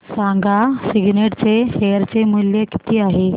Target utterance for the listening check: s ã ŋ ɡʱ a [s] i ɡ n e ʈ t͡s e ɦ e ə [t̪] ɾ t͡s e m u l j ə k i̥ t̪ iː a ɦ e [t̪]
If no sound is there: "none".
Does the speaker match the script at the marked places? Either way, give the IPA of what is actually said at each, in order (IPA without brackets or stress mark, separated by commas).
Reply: s, none, none